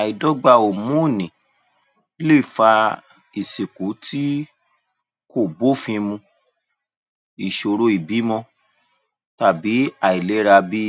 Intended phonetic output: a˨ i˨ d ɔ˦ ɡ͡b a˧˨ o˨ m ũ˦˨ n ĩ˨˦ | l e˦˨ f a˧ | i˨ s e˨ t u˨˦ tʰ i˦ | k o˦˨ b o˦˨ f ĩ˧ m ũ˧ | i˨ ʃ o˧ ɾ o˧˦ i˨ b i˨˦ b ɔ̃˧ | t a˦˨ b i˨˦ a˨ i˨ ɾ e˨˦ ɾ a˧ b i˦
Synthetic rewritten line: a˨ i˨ d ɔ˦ ɡ͡b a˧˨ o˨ m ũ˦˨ n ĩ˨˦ | l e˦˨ f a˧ | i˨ s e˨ k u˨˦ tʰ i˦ | k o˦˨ b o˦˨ f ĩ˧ m ũ˧ | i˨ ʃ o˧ ɾ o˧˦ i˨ b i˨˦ m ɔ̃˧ | t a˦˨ b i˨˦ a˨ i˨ l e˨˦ ɾ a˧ b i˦